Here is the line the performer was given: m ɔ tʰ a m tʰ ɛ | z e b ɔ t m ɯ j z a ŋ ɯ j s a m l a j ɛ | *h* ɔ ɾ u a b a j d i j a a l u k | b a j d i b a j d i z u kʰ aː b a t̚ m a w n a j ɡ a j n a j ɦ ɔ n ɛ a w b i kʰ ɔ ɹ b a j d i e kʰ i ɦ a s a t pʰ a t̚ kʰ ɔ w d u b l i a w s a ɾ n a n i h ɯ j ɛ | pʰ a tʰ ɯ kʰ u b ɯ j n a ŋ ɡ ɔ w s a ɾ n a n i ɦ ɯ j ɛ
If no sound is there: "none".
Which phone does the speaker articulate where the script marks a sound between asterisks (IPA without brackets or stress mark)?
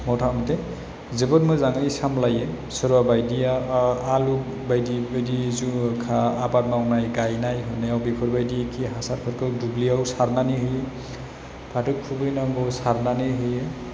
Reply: s